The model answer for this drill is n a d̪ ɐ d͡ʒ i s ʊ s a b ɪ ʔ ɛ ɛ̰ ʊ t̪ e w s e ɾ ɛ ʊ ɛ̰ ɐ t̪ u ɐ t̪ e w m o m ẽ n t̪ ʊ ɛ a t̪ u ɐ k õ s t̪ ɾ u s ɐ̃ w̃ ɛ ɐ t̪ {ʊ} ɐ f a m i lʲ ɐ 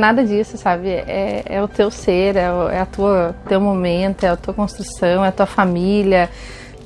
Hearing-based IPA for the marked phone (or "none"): u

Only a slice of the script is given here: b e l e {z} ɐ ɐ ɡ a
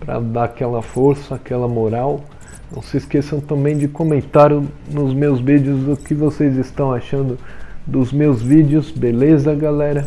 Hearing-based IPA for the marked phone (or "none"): z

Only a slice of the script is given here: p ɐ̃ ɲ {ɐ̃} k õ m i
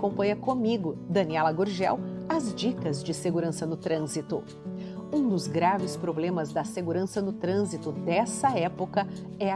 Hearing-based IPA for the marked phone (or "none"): ɐ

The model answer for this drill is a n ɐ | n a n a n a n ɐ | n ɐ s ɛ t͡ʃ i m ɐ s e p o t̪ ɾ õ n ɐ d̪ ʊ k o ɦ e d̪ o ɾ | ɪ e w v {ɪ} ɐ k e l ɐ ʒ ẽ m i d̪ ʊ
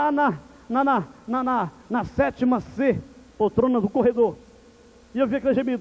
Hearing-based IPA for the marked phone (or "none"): i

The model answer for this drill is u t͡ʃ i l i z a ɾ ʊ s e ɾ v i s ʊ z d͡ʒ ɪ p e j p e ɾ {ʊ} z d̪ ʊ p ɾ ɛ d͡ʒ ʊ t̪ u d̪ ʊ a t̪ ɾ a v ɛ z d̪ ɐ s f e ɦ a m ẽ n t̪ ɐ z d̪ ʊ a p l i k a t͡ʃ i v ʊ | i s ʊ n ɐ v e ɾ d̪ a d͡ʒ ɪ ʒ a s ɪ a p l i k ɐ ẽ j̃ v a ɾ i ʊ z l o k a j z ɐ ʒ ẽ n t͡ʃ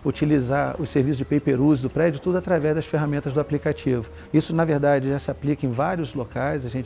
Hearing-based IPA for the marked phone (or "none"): u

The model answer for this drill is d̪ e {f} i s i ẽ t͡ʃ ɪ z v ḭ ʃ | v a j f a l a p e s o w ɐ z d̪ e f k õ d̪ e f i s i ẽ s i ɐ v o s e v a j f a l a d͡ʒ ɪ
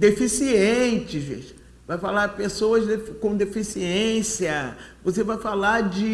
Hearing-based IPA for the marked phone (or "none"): f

